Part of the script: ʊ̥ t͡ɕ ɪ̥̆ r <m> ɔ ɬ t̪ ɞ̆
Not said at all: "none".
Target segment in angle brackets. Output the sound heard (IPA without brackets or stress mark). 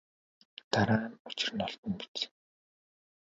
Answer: n